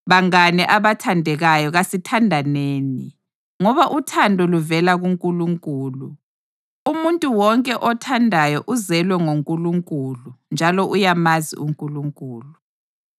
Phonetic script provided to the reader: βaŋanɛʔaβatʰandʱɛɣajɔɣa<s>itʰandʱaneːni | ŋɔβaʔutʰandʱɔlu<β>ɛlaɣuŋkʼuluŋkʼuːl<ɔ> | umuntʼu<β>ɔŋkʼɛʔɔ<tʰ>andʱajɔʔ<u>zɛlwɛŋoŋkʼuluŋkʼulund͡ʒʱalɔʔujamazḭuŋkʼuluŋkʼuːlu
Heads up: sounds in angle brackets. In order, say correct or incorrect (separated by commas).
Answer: correct, incorrect, incorrect, incorrect, correct, correct